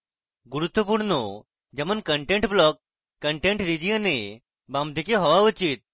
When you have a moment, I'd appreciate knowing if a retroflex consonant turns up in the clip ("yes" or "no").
yes